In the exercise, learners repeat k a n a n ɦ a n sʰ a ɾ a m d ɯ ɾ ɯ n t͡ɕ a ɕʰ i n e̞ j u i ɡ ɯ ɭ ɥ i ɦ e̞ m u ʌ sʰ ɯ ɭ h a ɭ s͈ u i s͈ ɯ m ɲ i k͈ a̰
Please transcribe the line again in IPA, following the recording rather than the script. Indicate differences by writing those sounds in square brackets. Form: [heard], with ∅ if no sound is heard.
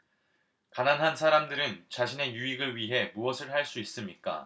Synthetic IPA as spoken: k a n a n ɦ a n sʰ a ɾ a m d ɯ ɾ ɯ n t͡ɕ a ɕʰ i n e̞ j u i ɡ ɯ ɭ ɥ i ɦ e̞ m u ʌ sʰ ɯ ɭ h a ɭ s͈ u i s͈ ɯ m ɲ i k͈ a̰